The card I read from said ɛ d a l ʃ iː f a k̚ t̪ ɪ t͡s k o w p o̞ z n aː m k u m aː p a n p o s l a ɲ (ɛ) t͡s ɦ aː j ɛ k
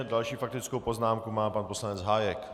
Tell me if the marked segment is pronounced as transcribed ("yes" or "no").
yes